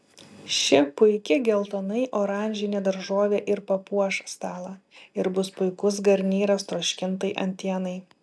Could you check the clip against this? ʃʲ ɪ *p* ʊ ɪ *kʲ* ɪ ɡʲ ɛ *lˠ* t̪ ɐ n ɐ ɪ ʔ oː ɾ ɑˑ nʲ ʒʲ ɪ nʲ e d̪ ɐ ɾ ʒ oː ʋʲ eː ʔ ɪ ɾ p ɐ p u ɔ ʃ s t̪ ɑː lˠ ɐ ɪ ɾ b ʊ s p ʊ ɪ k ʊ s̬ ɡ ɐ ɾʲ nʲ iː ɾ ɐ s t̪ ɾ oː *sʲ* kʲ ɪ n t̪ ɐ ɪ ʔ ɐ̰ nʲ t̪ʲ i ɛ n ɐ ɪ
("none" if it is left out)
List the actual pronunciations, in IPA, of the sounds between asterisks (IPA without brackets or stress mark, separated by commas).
p, kʲ, lˠ, ʃʲ